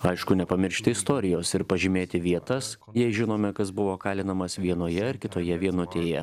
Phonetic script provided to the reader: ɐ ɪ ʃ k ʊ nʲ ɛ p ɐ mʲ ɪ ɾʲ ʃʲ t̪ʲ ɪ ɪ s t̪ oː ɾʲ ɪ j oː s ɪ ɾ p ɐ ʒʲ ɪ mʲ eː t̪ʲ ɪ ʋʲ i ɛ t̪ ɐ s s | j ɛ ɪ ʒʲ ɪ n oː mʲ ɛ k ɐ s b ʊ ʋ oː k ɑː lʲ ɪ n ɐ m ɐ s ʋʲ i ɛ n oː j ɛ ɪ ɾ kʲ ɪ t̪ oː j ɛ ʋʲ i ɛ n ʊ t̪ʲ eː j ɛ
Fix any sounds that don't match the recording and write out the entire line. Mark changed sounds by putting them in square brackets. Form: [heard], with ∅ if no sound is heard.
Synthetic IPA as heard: ɐ ɪ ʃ k ʊ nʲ ɛ p ɐ mʲ ɪ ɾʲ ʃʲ t̪ʲ ɪ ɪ s t̪ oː ɾʲ ɪ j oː s ɪ ɾ p ɐ ʒʲ ɪ mʲ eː t̪ʲ ɪ ʋʲ i ɛ t̪ ɐ s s | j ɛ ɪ ʒʲ ɪ n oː mʲ ɛ k ɐ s b ʊ ʋ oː k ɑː lʲ ɪ n ɐ m ɐ s ʋʲ i ɛ n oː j ɛ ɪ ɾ kʲ ɪ t̪ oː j ɛ ʋʲ i ɛ n ʊ t̪ʲ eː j ɛ

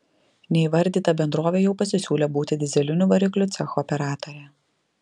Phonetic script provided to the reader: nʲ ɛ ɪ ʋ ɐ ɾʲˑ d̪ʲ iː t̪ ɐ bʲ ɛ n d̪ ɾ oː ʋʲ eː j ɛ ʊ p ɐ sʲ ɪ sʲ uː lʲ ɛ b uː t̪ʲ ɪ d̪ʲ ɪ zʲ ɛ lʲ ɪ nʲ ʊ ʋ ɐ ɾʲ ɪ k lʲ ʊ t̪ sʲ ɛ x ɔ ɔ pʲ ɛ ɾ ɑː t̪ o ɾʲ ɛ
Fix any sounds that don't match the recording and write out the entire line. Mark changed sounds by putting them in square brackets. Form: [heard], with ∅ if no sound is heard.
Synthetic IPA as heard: nʲ ɛ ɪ ʋ ɐ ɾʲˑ d̪ʲ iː t̪ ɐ bʲ ɛ n d̪ ɾ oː ʋʲ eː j ɛ ʊ p ɐ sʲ ɪ sʲ uː lʲ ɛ b uː t̪ʲ ɪ d̪ʲ ɪ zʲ ɛ lʲ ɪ nʲ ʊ ʋ ɐ ɾʲ ɪ k lʲ ʊ t̪ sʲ ɛ x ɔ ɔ pʲ ɛ ɾ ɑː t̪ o ɾʲ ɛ

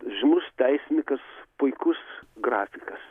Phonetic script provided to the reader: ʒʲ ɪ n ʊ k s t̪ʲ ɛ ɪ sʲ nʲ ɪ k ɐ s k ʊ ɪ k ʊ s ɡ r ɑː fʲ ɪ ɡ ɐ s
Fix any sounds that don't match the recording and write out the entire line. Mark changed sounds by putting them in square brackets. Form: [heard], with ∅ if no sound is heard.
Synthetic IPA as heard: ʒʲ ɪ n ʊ [∅] s t̪ʲ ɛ ɪ sʲ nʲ ɪ k ɐ s [p] ʊ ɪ k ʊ s ɡ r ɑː fʲ ɪ [k] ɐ s

